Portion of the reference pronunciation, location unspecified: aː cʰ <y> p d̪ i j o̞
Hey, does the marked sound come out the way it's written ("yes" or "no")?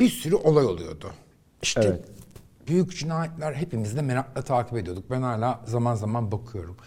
no